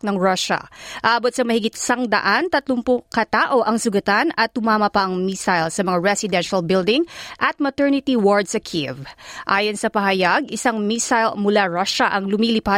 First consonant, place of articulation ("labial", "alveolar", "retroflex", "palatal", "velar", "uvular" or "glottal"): alveolar